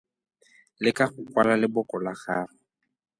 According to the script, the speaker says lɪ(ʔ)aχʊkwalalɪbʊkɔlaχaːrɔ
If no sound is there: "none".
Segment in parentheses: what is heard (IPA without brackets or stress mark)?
k